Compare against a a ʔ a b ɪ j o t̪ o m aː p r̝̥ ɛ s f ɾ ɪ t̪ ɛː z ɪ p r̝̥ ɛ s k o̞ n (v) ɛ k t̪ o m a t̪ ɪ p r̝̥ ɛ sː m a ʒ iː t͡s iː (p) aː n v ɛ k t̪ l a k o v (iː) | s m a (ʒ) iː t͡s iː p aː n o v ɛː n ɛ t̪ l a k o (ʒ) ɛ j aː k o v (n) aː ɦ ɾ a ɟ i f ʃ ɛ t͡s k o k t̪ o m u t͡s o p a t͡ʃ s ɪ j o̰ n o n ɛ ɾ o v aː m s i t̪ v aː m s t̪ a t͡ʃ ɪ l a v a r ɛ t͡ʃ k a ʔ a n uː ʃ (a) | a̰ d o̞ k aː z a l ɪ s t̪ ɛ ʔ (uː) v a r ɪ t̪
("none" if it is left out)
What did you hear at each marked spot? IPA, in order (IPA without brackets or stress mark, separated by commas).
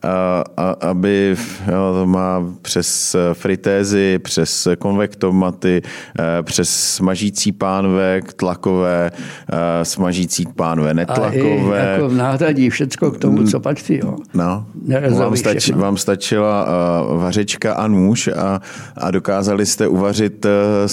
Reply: v, p, ɛː, ʒ, v, n, a, u